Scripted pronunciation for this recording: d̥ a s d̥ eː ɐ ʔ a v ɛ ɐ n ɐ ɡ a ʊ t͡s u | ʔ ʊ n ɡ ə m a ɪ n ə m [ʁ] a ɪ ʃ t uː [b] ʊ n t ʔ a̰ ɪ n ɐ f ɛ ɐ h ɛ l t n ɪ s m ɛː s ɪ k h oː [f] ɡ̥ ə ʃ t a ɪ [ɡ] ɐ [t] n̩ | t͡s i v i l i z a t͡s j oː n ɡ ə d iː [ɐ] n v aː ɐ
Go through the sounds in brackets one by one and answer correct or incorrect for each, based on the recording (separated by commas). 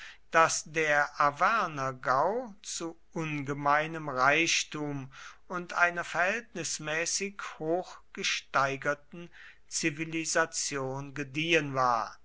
correct, incorrect, incorrect, correct, correct, incorrect